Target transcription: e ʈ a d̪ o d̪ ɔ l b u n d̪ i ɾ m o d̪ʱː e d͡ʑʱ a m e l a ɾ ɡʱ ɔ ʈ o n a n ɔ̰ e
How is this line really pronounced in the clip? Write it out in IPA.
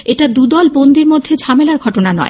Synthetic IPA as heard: e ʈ a d̪ u d̪ ɔ l b o n d̪ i ɾ m o d̪ʱː e d͡ʑʱ a m e l a ɾ ɡʱ ɔ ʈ o n a n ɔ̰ e